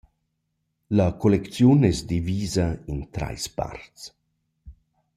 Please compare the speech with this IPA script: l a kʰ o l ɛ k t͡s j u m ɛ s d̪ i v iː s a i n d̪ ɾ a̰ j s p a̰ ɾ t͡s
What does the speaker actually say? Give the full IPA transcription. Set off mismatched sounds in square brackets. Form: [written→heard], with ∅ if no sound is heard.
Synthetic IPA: l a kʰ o l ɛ k t͡s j u [m→n] ɛ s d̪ i v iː [s→z] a i n [d̪→t̪] ɾ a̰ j s p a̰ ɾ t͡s